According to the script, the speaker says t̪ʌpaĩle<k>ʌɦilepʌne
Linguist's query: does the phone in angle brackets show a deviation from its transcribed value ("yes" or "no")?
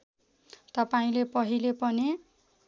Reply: yes